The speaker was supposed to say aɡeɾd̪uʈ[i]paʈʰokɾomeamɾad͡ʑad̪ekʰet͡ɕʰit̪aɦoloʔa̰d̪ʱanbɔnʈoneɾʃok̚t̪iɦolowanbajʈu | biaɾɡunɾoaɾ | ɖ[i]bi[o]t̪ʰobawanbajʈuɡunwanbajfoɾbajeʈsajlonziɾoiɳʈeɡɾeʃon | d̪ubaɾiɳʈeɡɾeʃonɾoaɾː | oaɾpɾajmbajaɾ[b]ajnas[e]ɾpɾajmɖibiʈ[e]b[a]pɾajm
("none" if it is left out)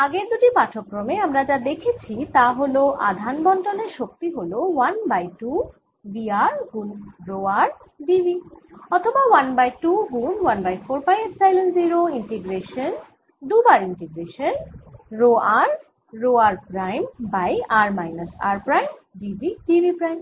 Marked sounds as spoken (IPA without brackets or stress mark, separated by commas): i, i, ɔ, m, a, i, i